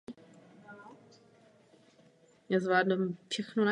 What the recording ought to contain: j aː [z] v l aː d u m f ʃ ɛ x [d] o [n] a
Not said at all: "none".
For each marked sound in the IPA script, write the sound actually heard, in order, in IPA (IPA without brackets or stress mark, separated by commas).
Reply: z, n, n